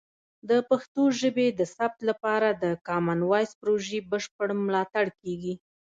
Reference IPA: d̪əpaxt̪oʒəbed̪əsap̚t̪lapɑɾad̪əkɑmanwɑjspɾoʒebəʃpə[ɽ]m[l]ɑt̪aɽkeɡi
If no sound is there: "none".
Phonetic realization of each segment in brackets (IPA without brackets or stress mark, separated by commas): ɽ, l